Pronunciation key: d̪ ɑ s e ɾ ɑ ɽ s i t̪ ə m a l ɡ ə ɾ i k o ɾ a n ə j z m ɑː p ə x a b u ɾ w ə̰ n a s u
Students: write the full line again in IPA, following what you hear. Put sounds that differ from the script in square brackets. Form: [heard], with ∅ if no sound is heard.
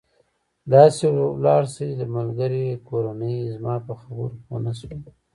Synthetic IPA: d̪ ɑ s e [l] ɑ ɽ s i [d̪] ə m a l ɡ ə ɾ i k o ɾ a n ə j z m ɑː p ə x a b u ɾ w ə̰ n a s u